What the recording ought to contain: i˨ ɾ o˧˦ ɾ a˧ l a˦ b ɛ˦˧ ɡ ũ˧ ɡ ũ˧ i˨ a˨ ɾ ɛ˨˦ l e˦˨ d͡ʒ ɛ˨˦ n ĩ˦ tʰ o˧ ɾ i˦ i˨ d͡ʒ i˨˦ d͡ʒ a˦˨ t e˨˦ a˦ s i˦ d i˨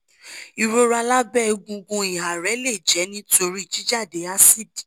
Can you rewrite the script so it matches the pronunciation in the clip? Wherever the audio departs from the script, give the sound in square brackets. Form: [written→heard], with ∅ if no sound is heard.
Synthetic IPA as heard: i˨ ɾ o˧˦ ɾ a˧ l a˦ b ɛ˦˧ ɡ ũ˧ ɡ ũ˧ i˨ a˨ ɾ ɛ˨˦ l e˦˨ d͡ʒ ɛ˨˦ n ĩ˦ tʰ o˧ ɾ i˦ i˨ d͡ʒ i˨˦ d͡ʒ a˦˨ [t→d] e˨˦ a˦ s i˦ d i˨